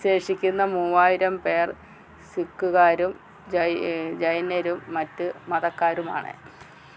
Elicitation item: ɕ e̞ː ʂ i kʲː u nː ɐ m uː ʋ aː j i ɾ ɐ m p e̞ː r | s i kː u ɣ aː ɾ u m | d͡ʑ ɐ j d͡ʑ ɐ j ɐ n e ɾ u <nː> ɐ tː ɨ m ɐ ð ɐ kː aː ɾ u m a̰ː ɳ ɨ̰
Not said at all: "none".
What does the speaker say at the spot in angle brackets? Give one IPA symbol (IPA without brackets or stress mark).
mː